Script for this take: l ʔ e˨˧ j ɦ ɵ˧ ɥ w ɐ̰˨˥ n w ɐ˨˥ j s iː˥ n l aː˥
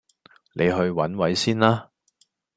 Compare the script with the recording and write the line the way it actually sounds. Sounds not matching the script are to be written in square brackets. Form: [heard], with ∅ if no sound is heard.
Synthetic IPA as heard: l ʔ e˨˧ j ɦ ɵ˧ ɥ w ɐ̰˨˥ n w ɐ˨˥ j s iː˥ n l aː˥